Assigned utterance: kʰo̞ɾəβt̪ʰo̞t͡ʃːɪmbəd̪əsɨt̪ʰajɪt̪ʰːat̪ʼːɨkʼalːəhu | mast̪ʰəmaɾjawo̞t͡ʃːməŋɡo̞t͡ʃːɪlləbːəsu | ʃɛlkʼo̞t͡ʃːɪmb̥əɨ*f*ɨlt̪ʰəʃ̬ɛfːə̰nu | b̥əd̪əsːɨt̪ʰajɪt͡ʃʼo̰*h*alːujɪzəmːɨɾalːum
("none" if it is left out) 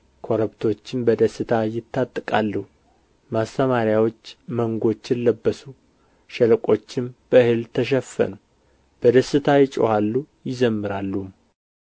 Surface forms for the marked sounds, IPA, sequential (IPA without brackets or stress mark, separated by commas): h, h